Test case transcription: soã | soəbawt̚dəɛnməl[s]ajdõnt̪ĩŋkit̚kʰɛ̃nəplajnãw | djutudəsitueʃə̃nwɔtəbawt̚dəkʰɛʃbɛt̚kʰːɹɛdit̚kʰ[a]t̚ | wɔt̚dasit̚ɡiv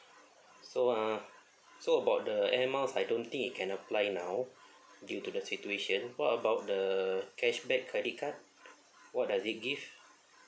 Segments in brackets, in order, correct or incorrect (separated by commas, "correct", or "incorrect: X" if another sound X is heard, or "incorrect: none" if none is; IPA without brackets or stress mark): correct, correct